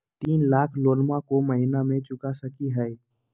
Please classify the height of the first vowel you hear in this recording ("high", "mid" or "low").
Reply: high